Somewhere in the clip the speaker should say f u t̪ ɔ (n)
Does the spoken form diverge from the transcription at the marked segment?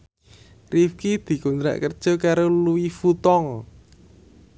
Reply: yes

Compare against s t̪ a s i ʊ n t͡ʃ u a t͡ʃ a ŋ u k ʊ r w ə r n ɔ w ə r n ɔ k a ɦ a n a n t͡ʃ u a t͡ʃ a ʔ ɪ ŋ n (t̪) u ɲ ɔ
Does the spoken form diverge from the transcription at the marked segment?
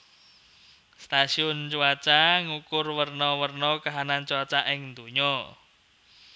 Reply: yes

